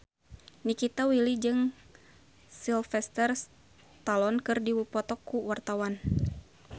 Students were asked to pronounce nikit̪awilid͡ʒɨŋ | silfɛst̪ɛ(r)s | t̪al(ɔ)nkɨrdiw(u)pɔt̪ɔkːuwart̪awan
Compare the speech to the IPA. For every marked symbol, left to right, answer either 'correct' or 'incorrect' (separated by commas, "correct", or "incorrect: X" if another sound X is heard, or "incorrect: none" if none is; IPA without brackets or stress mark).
correct, correct, correct